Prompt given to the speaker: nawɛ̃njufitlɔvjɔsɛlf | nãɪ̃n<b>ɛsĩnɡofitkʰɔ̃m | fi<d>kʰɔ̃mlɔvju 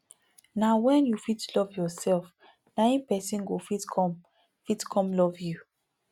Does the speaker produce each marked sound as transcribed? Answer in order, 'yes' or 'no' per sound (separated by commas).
no, no